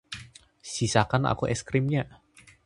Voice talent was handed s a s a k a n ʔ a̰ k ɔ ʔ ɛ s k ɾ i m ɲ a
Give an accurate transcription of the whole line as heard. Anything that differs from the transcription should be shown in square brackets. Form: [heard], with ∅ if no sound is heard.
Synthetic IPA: s [i] s a k a n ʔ a̰ k [u] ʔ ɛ s k ɾ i m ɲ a